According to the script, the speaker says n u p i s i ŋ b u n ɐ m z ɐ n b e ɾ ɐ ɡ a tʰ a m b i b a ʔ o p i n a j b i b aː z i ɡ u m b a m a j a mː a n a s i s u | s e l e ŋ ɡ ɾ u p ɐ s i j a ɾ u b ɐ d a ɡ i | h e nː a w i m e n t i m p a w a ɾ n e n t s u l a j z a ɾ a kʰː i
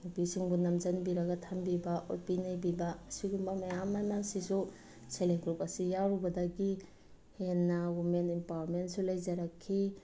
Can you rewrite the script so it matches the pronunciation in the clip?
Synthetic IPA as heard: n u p i s i ŋ b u n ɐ m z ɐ n b i ɾ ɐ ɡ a tʰ a m b i b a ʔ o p i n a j b i b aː s i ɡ u m b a m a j a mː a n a s i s u | s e l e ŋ ɡ ɾ u p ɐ s i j a ɾ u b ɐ d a ɡ i | h e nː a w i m e n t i m p a w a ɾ m e n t s u l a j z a ɾ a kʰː i